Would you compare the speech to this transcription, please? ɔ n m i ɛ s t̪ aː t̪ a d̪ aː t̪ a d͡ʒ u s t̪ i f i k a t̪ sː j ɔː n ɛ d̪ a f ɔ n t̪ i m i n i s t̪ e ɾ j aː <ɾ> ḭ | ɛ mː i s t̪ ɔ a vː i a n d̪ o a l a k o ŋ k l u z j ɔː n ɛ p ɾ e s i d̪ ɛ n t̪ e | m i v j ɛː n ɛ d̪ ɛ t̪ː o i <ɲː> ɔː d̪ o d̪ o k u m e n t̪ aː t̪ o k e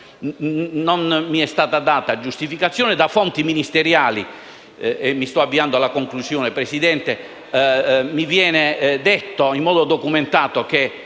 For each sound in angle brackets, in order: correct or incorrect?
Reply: incorrect: l, incorrect: mː

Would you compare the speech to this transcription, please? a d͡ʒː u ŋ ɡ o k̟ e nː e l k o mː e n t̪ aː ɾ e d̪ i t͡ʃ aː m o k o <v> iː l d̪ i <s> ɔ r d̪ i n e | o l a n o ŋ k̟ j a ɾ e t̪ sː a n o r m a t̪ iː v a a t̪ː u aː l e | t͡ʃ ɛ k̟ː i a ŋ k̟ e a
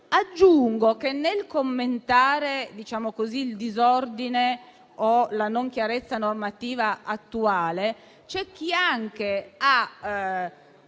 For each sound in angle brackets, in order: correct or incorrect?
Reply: incorrect: z, incorrect: z

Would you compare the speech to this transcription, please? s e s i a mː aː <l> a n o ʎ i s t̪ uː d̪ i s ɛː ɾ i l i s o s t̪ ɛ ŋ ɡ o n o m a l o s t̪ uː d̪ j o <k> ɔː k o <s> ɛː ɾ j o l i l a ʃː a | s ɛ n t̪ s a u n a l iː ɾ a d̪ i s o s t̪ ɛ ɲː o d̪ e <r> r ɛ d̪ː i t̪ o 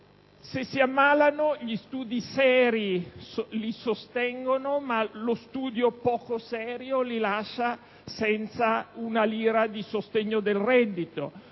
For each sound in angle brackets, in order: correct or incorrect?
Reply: correct, incorrect: p, correct, incorrect: l

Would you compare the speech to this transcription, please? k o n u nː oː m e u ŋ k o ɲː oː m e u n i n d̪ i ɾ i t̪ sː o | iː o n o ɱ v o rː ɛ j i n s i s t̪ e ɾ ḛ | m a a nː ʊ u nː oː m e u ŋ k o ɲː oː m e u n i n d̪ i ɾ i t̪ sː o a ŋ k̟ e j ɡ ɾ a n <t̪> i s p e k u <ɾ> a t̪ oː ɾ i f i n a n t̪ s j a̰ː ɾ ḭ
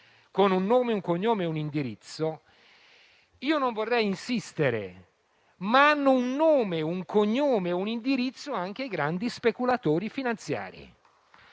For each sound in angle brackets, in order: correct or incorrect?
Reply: incorrect: d̪, incorrect: l

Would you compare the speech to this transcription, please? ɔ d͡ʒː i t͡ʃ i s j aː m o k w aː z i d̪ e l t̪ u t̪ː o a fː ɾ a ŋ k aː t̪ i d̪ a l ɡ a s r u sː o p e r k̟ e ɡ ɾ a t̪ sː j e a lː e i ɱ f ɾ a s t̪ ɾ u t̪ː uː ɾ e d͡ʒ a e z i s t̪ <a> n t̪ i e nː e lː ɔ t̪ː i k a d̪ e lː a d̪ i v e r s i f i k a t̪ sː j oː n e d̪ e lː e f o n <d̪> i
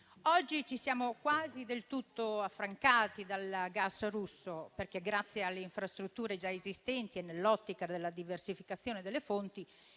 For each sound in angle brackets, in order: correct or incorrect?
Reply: incorrect: ɛ, incorrect: t̪

